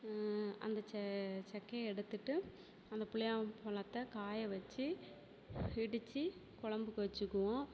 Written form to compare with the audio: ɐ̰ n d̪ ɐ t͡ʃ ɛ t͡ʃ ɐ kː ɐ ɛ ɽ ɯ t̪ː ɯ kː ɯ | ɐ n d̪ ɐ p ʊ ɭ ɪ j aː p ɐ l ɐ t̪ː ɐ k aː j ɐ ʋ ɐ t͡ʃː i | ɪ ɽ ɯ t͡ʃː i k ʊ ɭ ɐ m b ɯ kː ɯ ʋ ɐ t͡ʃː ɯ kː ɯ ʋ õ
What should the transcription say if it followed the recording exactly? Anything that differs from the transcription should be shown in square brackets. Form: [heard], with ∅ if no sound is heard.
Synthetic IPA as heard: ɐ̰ n d̪ ɐ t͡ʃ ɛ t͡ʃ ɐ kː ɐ ɛ ɽ ɯ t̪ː ɯ [ʈː] ɯ | ɐ n d̪ ɐ p ʊ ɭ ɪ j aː p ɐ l ɐ t̪ː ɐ k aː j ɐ ʋ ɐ t͡ʃː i | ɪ ɽ ɯ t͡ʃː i k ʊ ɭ ɐ m b ɯ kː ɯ ʋ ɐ t͡ʃː ɯ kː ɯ ʋ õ

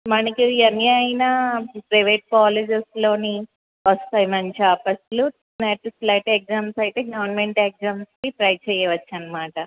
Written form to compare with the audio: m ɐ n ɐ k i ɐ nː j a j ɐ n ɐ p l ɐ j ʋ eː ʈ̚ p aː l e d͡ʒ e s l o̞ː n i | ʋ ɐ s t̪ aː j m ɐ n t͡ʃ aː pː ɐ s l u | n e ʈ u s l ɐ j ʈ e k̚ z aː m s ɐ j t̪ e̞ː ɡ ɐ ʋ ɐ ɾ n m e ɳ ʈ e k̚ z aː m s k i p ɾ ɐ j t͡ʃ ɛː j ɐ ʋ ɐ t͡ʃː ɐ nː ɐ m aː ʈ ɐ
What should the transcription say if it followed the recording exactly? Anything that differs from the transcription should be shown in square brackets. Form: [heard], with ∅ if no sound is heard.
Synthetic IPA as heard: m ɐ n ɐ k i ɐ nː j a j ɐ n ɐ p [ɾ] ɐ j ʋ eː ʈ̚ [k] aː l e d͡ʒ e s l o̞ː n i | ʋ ɐ s t̪ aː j m ɐ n t͡ʃ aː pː ɐ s l u | n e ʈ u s l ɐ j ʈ e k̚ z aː m s ɐ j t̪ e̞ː ɡ ɐ ʋ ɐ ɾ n m e ɳ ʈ e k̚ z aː m s k i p ɾ ɐ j t͡ʃ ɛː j ɐ ʋ ɐ t͡ʃː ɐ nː ɐ m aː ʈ ɐ

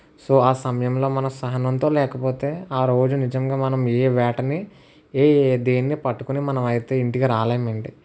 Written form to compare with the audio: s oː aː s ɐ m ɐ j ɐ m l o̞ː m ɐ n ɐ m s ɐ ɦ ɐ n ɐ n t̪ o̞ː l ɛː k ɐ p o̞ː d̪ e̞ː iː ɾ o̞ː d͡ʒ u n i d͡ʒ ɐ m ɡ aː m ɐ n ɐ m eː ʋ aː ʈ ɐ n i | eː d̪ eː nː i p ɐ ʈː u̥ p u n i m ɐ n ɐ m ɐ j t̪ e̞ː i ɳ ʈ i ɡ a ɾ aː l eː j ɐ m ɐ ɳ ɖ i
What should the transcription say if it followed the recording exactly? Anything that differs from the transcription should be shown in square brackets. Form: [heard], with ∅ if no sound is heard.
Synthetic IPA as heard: s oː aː s ɐ m ɐ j ɐ m l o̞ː m ɐ n ɐ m s ɐ ɦ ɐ n ɐ n t̪ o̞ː l ɛː k ɐ p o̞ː [t̪] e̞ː [aː] ɾ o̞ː d͡ʒ u n i d͡ʒ ɐ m ɡ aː m ɐ n ɐ m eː ʋ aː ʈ ɐ n i | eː d̪ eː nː i p ɐ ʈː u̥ [k] u n i m ɐ n ɐ m ɐ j t̪ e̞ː i ɳ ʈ i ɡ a ɾ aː l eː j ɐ m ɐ ɳ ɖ i

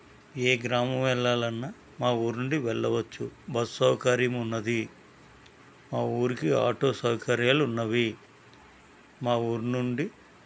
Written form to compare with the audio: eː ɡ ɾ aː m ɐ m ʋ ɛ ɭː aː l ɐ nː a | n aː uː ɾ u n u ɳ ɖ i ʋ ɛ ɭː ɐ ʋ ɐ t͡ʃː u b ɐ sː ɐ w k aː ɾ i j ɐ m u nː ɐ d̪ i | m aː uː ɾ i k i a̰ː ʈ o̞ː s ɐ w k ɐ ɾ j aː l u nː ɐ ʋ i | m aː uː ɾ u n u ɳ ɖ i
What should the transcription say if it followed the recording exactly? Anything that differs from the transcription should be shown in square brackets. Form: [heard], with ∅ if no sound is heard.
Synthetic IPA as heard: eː ɡ ɾ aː m ɐ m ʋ ɛ ɭː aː l ɐ nː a | [m] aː uː ɾ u n u ɳ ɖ i ʋ ɛ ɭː ɐ ʋ ɐ t͡ʃː u b ɐ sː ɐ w k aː ɾ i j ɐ m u nː ɐ d̪ i | m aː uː ɾ i k i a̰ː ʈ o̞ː s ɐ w k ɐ ɾ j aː l u nː ɐ ʋ i | m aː uː ɾ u n u ɳ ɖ i

